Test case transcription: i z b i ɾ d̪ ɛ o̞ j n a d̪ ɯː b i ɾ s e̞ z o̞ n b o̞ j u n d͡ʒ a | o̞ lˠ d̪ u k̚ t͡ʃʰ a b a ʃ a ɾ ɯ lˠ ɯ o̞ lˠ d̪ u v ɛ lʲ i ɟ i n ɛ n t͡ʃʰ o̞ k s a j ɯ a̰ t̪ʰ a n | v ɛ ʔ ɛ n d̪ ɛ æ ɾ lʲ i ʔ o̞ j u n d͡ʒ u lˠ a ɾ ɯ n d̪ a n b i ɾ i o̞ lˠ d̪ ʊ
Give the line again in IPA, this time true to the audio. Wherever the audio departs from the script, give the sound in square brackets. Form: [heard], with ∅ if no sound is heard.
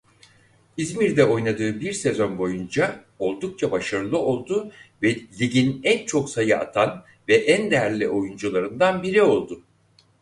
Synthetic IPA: i z [m] i ɾ d̪ ɛ o̞ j n a d̪ ɯː b i ɾ s e̞ z o̞ n b o̞ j u n d͡ʒ a | o̞ lˠ d̪ u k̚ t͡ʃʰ a b a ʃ a ɾ ɯ lˠ ɯ o̞ lˠ d̪ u v ɛ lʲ i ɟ i n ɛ n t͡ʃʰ o̞ k s a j ɯ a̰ t̪ʰ a n | v ɛ ʔ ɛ n d̪ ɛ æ ɾ lʲ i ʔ o̞ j u n d͡ʒ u lˠ a ɾ ɯ n d̪ a n b i ɾ i o̞ lˠ d̪ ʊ